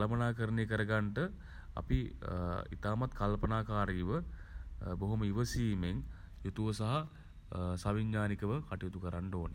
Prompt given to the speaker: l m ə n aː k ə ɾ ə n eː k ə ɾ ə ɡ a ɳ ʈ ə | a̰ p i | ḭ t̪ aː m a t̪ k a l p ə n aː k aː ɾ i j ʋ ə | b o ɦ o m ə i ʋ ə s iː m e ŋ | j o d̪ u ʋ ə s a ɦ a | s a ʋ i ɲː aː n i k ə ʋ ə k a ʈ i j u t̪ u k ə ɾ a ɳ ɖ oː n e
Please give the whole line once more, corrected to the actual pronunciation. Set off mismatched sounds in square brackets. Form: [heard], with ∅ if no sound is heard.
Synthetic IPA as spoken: l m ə n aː k ə ɾ ə n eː k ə ɾ ə ɡ a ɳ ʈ ə | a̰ p i | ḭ t̪ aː m a t̪ k a l p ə n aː k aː ɾ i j ʋ ə | b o ɦ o m ə i ʋ ə s iː m e ŋ | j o [t̪] u ʋ ə s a ɦ a | s a ʋ i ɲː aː n i k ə ʋ ə k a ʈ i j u t̪ u k ə ɾ a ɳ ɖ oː n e